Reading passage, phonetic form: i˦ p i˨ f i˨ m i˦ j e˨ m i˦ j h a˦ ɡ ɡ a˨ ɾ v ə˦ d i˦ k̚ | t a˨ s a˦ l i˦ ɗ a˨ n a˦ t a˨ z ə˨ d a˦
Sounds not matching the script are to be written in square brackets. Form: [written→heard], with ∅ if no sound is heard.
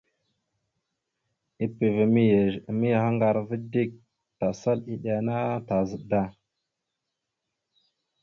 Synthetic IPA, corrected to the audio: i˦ p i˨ [f→v] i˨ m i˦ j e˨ m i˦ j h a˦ [ɡ→ŋ] ɡ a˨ ɾ v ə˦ d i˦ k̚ | t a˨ s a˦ l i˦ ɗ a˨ n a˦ t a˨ z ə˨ d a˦